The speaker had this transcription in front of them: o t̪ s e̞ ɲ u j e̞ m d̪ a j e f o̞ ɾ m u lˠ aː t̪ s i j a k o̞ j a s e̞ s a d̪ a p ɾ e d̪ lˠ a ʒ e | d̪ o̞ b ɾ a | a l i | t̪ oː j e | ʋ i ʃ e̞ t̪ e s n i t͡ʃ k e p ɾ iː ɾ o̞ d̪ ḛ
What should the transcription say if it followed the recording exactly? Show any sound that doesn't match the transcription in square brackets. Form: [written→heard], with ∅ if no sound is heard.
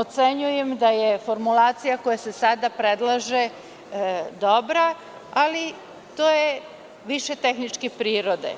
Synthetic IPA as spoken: o t̪ s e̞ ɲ u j e̞ m d̪ a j e f o̞ ɾ m u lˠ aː t̪ s i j a k o̞ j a s e̞ s a d̪ a p ɾ e d̪ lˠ a ʒ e | d̪ o̞ b ɾ a | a l i | t̪ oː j e | ʋ i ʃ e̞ t̪ e [s→x] n i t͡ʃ k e p ɾ iː ɾ o̞ d̪ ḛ